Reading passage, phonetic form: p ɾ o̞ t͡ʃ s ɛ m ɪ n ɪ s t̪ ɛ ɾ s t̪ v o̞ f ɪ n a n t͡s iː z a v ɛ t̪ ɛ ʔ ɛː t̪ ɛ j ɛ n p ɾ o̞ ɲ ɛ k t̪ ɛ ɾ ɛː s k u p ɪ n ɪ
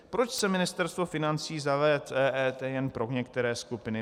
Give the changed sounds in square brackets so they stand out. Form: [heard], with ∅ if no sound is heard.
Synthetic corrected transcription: p ɾ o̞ t͡ʃ s ɛ m ɪ n ɪ s t̪ ɛ ɾ s t̪ v o̞ f ɪ n a n t͡s iː z a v ɛ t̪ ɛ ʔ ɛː t̪ ɛ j ɛ n p ɾ o̞ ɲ ɛ k t̪ ɛ ɾ ɛː s k u p ɪ n ɪ